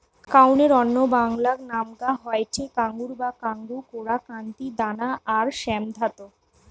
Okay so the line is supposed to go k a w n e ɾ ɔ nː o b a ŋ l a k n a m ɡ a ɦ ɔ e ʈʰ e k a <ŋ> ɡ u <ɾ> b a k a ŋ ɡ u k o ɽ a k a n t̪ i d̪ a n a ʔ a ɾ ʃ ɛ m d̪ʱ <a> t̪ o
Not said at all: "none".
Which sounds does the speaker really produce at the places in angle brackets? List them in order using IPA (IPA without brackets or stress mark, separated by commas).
ŋ, ɾ, a